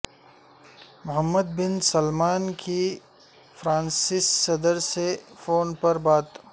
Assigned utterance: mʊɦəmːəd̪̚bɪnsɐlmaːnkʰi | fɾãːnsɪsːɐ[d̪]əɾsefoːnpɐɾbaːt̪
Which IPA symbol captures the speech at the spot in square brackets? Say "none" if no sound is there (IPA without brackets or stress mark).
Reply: d̪